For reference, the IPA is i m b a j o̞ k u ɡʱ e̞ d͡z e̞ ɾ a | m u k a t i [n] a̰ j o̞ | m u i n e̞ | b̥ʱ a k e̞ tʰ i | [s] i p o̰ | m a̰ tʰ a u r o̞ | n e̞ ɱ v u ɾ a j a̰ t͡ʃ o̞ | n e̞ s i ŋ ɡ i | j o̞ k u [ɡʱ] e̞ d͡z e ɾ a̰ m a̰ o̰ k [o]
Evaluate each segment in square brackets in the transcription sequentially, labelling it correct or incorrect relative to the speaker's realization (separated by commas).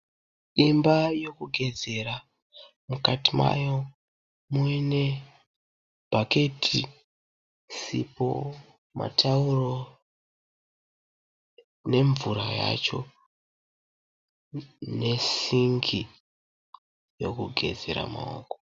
incorrect, correct, correct, correct